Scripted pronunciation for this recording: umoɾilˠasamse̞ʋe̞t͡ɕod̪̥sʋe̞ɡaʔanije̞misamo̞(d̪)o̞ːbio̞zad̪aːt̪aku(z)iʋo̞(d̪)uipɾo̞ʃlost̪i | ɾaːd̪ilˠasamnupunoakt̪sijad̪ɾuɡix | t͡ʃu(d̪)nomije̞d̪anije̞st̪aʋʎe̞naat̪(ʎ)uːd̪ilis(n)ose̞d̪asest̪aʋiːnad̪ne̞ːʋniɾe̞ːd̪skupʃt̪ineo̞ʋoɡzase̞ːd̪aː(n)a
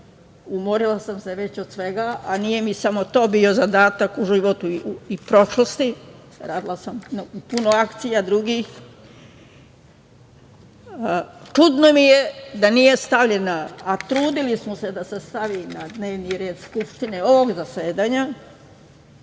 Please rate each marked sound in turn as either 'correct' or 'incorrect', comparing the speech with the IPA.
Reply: incorrect: t̪, incorrect: ʒ, incorrect: t̪, correct, incorrect: ɾ, incorrect: m, incorrect: ɲ

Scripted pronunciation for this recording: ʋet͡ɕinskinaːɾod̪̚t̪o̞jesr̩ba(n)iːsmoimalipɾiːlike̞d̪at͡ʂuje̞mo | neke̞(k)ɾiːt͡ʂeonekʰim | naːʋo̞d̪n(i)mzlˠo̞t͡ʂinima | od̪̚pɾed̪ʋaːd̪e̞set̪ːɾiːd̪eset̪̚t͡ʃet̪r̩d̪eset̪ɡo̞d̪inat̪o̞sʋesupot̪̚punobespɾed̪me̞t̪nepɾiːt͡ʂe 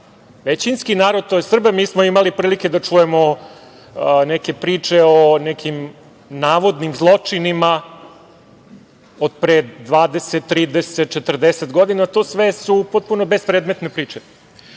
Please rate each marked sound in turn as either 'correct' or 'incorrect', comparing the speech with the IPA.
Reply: incorrect: m, incorrect: p, correct

